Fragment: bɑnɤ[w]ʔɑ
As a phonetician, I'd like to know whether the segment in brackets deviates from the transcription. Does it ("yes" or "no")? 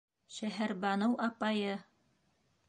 no